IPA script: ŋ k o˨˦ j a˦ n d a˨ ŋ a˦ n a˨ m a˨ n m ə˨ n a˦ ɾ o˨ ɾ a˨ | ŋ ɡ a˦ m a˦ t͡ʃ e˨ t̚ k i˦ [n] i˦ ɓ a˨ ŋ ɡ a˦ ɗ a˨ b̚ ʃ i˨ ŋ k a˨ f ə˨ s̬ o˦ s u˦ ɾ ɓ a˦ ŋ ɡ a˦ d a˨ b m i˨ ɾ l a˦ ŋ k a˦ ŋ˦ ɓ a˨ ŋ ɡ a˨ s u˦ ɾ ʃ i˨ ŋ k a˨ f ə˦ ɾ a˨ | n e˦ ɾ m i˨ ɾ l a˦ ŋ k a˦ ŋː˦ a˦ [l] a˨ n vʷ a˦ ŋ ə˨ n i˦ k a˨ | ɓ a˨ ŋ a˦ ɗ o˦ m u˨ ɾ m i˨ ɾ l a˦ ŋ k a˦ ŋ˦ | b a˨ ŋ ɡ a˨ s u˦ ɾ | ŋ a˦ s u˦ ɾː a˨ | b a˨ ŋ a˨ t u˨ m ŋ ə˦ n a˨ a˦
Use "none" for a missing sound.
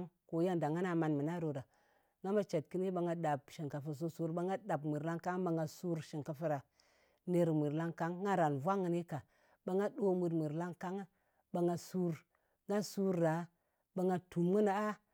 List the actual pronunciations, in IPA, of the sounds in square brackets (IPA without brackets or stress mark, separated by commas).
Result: n, ɾ